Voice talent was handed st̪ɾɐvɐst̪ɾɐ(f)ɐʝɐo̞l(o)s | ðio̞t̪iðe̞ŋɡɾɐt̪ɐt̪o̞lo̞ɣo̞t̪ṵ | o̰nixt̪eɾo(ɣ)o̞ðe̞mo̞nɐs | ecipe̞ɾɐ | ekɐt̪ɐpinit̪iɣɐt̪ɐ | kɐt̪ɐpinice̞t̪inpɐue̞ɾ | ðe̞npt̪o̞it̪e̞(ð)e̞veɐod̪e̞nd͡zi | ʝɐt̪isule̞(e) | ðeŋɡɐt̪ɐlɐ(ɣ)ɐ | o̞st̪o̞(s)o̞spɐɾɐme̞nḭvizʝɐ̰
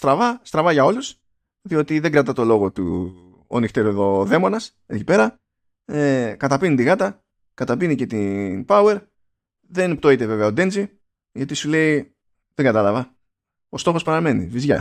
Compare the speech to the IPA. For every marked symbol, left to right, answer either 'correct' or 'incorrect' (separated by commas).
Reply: incorrect, incorrect, incorrect, incorrect, incorrect, incorrect, incorrect